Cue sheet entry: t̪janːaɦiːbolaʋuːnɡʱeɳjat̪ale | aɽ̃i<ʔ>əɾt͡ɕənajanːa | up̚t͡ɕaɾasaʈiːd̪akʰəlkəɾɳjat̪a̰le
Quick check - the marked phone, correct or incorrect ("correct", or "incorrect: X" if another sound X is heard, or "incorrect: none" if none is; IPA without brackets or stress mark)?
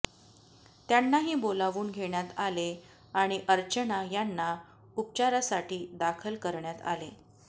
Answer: correct